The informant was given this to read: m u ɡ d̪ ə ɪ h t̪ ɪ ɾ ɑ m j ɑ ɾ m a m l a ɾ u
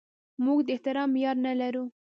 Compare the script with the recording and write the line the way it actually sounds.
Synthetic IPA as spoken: m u ɡ d̪ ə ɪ h t̪ ɪ ɾ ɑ m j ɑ ɾ n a l a ɾ u